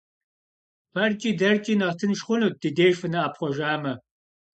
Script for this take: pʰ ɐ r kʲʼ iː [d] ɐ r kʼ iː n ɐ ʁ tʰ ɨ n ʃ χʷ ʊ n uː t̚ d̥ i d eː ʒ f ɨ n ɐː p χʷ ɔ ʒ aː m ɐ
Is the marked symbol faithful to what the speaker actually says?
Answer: yes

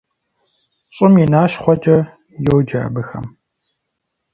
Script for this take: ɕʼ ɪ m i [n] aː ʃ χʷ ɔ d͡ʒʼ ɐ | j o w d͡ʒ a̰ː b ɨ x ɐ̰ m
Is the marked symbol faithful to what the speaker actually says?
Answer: yes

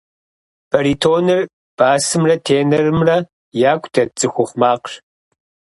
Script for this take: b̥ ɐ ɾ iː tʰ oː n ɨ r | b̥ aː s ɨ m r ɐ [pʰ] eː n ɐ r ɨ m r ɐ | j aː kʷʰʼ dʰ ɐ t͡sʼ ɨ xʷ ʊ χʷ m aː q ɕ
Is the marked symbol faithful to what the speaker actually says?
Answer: no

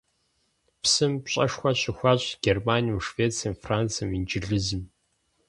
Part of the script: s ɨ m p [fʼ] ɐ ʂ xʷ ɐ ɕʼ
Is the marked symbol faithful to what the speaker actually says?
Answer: no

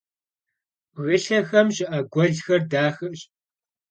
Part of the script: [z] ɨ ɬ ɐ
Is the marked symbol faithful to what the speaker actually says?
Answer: no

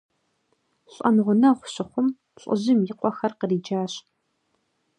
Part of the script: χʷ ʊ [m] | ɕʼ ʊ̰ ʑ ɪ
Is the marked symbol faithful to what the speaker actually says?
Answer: yes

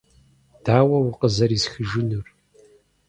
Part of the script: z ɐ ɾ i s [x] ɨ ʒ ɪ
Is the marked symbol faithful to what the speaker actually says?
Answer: yes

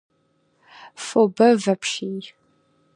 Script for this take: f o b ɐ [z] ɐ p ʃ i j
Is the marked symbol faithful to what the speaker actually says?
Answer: no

